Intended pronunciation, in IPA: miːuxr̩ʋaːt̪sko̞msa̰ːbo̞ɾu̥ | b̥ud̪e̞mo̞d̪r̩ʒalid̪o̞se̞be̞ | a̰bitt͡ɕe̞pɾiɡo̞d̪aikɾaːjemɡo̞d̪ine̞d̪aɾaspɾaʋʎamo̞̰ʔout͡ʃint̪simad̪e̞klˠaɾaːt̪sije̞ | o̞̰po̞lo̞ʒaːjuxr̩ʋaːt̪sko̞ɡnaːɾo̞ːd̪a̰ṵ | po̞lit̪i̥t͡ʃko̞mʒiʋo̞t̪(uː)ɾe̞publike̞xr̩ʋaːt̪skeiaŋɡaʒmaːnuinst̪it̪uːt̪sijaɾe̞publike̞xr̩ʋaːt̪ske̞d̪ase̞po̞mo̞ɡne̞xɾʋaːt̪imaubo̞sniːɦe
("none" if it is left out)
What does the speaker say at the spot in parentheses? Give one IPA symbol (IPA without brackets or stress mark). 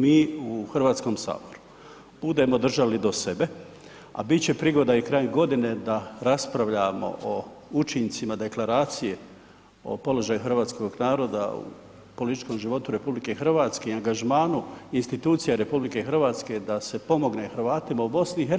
u